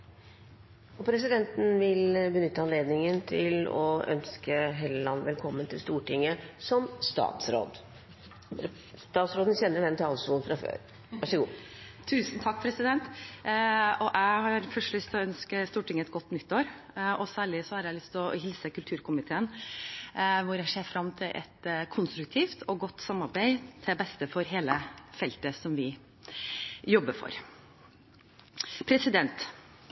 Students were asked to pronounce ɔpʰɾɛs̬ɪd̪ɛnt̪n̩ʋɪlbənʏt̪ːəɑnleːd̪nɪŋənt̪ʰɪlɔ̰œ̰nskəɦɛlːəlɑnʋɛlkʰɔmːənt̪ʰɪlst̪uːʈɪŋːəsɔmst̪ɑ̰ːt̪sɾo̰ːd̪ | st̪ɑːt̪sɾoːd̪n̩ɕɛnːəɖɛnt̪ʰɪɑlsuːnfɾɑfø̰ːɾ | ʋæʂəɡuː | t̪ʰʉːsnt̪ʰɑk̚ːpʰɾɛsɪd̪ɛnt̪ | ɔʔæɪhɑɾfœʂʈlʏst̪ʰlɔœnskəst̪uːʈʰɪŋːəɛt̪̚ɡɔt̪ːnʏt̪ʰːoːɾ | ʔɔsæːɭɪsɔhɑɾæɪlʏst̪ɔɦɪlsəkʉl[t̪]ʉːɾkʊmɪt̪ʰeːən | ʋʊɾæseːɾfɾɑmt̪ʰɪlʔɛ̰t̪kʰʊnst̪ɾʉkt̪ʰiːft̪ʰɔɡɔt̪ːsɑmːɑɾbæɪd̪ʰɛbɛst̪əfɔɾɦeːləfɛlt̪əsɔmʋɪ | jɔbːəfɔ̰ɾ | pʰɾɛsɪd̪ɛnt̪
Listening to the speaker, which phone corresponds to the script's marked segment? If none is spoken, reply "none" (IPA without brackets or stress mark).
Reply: t̪ʰ